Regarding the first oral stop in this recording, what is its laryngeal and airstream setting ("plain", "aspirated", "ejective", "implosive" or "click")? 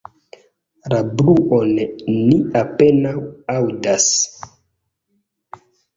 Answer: plain